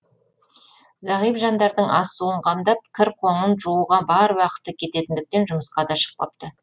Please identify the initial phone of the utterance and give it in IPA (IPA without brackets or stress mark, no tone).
z